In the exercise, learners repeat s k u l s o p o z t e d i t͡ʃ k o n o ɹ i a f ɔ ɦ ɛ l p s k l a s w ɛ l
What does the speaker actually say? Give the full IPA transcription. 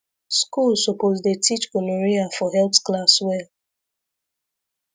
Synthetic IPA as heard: s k u l s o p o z d e t i t͡ʃ k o n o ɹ i a f ɔ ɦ ɛ l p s k l a s w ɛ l